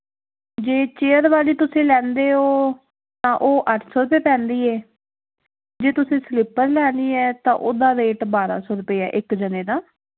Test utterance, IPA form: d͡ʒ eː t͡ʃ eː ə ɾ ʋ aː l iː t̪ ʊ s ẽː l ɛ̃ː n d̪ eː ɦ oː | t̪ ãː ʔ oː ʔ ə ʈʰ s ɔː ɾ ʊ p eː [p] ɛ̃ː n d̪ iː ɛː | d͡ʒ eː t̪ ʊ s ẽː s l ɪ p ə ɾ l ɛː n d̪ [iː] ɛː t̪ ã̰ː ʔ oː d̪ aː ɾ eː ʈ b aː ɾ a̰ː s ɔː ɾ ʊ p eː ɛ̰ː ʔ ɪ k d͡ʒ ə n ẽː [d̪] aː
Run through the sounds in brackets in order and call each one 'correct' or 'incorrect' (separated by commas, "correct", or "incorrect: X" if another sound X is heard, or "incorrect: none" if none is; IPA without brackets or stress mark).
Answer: correct, correct, correct